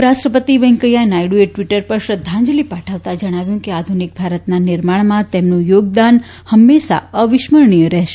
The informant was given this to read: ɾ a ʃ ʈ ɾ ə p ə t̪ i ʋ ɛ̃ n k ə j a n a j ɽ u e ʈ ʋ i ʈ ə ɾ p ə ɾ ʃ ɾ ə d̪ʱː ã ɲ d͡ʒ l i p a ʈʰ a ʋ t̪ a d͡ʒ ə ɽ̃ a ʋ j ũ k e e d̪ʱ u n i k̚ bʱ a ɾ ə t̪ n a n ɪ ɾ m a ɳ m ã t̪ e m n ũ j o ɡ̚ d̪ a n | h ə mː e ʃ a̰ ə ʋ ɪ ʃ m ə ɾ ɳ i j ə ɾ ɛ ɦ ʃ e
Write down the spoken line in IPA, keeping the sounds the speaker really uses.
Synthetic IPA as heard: ɾ a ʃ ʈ ɾ ə p ə t̪ i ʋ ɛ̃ ŋ k ə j a n a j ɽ u e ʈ ʋ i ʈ ə ɾ p ə ɾ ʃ ɾ ə d̪ʱː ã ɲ d͡ʒ l i p a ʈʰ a ʋ t̪ a d͡ʒ ə ɽ̃ a ʋ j ũ k e a d̪ʱ u n i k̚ bʱ a ɾ ə t̪ n a n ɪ ɾ m a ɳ m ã t̪ e m n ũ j o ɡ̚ d̪ a n | h ə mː e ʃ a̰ ə ʋ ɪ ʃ m ə ɾ ɳ i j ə ɾ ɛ ɦ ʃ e